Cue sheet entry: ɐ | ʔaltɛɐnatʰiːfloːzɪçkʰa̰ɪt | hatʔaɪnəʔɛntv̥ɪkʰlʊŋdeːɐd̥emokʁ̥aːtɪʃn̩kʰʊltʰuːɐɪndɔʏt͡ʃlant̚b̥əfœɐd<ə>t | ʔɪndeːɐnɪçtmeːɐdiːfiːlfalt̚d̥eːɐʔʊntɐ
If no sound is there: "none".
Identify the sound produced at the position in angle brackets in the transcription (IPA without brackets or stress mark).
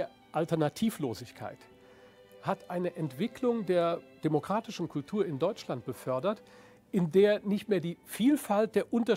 ɐ